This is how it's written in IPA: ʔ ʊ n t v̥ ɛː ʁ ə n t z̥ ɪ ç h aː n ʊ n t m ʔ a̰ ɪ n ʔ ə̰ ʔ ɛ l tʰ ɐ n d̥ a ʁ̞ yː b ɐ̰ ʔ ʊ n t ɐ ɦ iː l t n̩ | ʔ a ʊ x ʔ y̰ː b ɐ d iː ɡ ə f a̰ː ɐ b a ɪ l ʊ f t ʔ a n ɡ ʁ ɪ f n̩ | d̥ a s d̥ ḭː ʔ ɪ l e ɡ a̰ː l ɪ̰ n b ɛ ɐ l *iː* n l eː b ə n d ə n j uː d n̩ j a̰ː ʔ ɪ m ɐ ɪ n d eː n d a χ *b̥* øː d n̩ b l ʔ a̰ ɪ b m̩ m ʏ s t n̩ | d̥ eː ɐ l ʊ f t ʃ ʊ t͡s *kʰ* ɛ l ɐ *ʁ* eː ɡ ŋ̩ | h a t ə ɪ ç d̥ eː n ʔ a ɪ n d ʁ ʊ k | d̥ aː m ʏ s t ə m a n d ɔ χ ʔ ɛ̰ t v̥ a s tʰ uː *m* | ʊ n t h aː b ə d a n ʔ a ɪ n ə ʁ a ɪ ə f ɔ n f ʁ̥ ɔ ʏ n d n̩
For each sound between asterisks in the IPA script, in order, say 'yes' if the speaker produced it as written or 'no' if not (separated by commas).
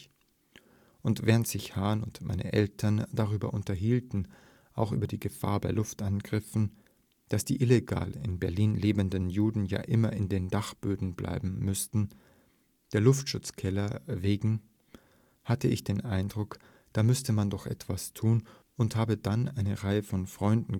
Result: yes, yes, yes, no, no